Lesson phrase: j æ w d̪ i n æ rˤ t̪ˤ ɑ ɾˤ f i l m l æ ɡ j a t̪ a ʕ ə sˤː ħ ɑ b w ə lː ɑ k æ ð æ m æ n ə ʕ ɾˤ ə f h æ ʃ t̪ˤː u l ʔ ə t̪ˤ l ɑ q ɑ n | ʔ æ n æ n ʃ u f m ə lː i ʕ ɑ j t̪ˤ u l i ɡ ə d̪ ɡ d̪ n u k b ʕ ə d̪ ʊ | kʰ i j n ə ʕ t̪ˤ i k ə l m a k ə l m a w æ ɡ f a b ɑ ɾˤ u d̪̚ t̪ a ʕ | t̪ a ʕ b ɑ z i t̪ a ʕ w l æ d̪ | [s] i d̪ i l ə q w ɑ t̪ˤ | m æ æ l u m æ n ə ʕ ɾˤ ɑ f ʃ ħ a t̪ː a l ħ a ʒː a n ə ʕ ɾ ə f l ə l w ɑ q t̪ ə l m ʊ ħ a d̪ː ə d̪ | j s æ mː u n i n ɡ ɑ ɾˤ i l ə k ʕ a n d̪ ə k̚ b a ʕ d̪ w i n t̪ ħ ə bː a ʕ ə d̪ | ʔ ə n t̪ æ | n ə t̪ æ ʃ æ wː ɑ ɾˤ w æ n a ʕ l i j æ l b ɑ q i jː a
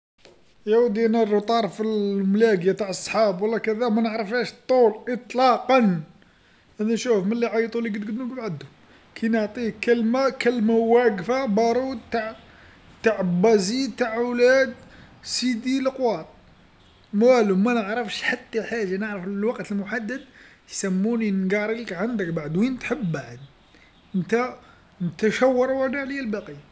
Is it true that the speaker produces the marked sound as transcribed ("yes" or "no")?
yes